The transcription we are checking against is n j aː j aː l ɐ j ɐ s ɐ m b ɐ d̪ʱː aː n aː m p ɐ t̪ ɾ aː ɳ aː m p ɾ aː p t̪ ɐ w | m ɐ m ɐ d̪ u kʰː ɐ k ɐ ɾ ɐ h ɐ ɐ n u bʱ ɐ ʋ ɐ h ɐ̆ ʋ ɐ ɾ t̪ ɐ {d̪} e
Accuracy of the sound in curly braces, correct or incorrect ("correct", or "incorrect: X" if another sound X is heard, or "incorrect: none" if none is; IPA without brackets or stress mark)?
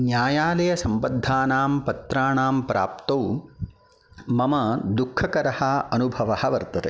incorrect: t̪